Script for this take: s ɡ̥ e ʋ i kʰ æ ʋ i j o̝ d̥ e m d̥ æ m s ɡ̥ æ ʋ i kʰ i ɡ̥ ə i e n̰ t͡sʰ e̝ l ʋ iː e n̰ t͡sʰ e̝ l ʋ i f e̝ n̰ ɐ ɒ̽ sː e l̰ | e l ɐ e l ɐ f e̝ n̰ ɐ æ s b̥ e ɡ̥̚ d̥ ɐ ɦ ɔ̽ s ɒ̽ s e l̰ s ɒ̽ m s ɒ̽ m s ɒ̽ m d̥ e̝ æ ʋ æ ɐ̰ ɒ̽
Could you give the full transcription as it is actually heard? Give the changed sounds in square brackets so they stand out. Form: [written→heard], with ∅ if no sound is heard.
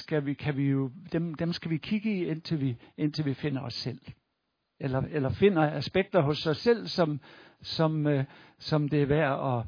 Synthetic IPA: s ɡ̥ [e→æ] ʋ i kʰ æ ʋ i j o̝ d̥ e m d̥ [æ→e] m s ɡ̥ æ ʋ i kʰ i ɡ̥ ə i e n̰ t͡sʰ e̝ l ʋ [iː→i] e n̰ t͡sʰ e̝ l ʋ i f e̝ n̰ ɐ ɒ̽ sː e l̰ | e l ɐ e l ɐ f e̝ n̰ ɐ æ s b̥ e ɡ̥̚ d̥ ɐ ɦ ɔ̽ s ɒ̽ s e l̰ s ɒ̽ m s ɒ̽ m s ɒ̽ m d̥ e̝ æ ʋ æ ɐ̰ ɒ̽